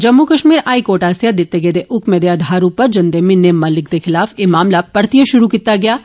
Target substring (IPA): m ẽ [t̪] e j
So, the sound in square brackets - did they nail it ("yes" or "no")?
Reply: no